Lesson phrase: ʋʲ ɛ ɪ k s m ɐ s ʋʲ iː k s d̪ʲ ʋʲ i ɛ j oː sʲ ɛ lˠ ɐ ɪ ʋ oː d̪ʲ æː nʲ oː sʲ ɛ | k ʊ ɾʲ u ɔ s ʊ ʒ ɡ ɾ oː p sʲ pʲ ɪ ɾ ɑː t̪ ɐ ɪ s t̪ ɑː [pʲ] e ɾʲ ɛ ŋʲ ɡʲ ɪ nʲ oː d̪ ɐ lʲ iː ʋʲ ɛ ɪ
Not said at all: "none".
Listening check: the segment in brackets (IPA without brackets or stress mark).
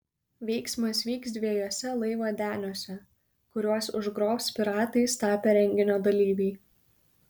pʲ